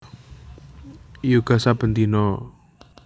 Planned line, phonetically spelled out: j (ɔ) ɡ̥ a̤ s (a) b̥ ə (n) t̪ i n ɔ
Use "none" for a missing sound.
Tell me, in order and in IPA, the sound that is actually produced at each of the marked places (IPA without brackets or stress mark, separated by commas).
u, a, n